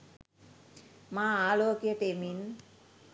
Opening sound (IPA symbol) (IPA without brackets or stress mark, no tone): m